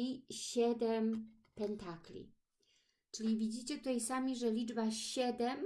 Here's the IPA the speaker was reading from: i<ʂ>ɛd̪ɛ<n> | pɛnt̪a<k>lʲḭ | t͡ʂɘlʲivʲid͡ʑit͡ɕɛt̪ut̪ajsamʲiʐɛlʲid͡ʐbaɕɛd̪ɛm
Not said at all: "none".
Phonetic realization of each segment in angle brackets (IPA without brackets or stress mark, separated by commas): ɕ, m, k